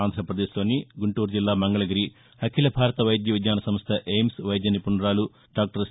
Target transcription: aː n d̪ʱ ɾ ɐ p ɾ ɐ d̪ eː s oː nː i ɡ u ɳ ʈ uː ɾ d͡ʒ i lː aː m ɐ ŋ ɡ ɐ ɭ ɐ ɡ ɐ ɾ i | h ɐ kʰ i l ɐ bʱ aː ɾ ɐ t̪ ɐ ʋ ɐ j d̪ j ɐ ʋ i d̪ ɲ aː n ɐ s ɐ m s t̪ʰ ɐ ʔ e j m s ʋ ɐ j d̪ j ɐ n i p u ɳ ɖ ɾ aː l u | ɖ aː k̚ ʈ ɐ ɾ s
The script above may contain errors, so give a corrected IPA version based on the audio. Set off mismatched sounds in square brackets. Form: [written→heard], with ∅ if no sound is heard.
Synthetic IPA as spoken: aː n d̪ʱ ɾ ɐ p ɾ ɐ d̪ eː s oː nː i ɡ u ɳ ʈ uː ɾ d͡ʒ i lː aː m ɐ ŋ ɡ ɐ ɭ ɐ ɡ ɐ ɾ i | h ɐ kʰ i l ɐ bʱ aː ɾ ɐ t̪ ɐ ʋ ɐ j d̪ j ɐ ʋ i d̪ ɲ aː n ɐ s ɐ m s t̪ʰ ɐ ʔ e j m s ʋ ɐ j d̪ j ɐ n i p u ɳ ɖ ɾ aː l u | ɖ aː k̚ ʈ ɐ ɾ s